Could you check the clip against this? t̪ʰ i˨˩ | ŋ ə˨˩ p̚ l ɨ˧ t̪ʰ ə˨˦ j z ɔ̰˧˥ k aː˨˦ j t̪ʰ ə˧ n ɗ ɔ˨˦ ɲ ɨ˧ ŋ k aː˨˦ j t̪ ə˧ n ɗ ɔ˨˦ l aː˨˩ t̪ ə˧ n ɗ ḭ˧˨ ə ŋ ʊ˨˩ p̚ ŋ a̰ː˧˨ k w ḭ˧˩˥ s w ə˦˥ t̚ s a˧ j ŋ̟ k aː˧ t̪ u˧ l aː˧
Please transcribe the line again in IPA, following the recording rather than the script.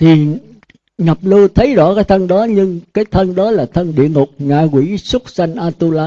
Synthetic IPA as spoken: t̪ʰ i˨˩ | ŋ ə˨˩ p̚ l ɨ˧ t̪ʰ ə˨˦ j z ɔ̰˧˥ k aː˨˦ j t̪ʰ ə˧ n ɗ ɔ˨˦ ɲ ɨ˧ ŋ k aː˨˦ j t̪ʰ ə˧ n ɗ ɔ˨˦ l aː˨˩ t̪ʰ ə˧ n ɗ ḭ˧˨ ə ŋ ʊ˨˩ k͡p̚ ŋ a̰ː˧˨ k w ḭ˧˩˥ s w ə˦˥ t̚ s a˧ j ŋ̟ ʔ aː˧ t̪ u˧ l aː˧

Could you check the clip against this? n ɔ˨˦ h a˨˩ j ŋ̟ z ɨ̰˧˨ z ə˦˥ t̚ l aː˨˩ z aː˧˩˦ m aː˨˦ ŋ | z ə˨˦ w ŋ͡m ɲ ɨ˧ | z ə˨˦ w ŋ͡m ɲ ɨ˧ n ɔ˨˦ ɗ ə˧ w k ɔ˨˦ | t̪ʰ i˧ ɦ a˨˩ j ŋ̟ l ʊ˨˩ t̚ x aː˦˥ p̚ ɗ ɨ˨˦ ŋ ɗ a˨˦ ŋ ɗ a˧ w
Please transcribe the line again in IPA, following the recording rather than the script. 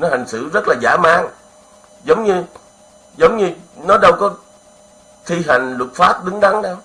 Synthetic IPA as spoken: n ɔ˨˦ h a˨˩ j ŋ̟ s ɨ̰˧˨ z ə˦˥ t̚ l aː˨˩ z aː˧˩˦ m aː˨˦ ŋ | z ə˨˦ w ŋ͡m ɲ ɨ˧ | z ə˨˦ w ŋ͡m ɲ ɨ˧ n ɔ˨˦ ɗ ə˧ w k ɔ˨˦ | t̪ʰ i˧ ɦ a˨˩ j ŋ̟ l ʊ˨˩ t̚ f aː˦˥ p̚ ɗ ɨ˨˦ ŋ ɗ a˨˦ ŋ ɗ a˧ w

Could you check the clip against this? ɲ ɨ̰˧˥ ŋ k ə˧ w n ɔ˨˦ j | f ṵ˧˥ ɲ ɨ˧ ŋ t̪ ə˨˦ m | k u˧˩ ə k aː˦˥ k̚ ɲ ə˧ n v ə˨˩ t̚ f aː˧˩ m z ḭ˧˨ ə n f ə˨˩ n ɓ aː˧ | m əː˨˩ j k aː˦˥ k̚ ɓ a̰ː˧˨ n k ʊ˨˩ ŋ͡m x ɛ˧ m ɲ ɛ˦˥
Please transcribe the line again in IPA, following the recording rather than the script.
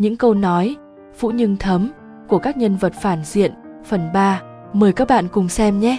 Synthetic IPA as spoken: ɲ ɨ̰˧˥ ŋ k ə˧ w n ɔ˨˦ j | f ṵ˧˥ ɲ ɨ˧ ŋ t̪ʰ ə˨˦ m | k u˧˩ ə k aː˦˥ k̚ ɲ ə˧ n v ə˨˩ t̚ f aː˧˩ n z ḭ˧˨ ə n f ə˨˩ n ɓ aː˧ | m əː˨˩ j k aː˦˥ k̚ ɓ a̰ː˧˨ n k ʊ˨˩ ŋ͡m s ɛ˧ m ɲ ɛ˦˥

